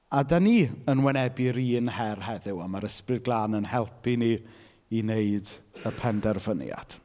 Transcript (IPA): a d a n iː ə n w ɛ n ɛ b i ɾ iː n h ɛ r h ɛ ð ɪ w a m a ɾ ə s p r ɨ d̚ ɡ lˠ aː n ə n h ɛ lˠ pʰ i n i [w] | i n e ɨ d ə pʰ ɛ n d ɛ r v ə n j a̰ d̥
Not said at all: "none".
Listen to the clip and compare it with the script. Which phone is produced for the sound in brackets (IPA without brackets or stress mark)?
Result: none